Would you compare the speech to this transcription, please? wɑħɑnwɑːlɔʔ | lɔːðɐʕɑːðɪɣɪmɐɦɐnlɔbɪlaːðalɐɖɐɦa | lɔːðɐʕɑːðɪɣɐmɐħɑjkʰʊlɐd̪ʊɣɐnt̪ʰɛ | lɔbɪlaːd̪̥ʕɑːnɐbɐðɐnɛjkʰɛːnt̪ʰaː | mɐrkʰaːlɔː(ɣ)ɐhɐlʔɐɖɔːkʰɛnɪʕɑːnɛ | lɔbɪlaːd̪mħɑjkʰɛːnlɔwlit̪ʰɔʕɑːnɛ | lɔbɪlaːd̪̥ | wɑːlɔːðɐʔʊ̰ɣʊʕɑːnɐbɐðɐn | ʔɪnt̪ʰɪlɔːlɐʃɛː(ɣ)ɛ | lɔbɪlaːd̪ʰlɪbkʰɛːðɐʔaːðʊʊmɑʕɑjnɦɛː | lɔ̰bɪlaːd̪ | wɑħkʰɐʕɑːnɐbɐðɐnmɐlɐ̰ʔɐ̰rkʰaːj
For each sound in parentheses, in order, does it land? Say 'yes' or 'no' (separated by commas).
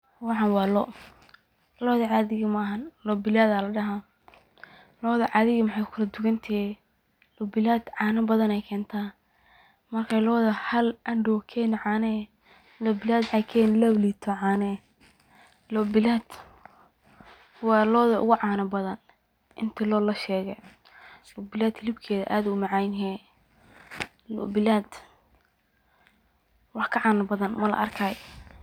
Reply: no, yes